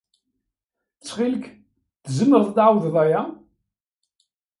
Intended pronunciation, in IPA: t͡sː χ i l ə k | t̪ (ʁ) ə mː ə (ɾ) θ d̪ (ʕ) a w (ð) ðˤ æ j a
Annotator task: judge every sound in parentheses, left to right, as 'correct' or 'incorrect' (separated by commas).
incorrect, correct, correct, correct